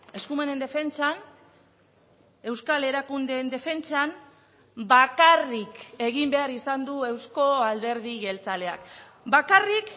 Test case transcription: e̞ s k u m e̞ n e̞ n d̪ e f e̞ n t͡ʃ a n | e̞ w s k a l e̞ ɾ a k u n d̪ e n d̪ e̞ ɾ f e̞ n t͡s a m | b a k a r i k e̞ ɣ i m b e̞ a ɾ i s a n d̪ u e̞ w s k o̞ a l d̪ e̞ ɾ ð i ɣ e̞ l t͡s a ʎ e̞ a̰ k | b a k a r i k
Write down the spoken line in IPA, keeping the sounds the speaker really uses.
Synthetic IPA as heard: e̞ s k u m e̞ n e̞ n d̪ e f e̞ n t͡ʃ a n | e̞ w s k a l e̞ ɾ a k u n d̪ e n d̪ e̞ f e̞ n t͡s a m | b a k a r i k e̞ ɣ i m b e̞ a ɾ i s a n d̪ u e̞ w s k o̞ a l d̪ e̞ ɾ ð i ɣ e̞ l t͡s a l e̞ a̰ k | b a k a r i k